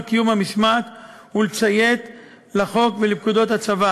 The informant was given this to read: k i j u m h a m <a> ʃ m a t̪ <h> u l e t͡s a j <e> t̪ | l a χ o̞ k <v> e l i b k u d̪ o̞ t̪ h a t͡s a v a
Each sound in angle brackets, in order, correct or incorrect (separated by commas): incorrect, correct, correct, correct